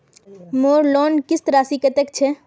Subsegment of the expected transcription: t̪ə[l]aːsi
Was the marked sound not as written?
yes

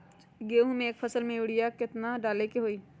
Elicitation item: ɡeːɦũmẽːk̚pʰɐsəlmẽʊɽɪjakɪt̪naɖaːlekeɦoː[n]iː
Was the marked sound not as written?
yes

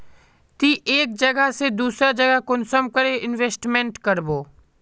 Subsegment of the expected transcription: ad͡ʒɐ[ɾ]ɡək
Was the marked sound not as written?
yes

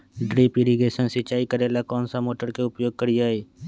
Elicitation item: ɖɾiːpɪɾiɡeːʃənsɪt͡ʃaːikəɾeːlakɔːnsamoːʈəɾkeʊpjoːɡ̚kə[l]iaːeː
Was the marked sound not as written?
yes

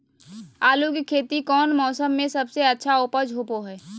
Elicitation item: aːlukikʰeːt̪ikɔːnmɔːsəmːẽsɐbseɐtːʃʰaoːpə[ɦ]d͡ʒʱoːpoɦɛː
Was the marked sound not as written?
yes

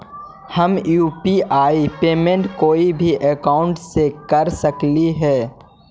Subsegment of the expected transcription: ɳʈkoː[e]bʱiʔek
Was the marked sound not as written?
yes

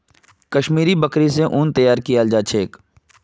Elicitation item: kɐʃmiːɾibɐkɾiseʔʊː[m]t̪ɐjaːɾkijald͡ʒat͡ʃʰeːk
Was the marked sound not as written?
yes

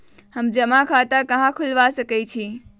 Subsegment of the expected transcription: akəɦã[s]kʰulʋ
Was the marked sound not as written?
yes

